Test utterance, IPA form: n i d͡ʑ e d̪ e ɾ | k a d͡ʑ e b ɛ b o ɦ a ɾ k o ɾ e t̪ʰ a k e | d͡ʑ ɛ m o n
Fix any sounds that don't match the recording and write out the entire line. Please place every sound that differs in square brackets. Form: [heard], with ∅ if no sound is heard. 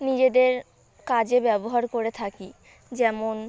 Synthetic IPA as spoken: n i d͡ʑ e d̪ e ɾ | k a d͡ʑ e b ɛ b o ɦ a ɾ k o ɾ e t̪ʰ a k [i] | d͡ʑ ɛ m o n

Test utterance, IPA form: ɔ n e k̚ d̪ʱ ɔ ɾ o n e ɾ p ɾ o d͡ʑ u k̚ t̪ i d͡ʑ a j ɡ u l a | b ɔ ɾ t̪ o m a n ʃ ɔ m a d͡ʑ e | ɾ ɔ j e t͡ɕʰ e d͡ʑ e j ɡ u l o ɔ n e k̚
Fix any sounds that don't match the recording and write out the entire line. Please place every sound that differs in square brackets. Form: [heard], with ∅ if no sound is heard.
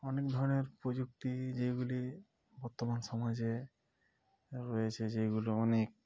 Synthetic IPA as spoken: ɔ n e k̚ d̪ʱ ɔ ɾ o n e ɾ p ɾ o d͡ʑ u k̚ t̪ i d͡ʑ [e] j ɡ u l [i] | b ɔ ɾ t̪ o m a n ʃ ɔ m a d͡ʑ e | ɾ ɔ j e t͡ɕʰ e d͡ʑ e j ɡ u l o ɔ n e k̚

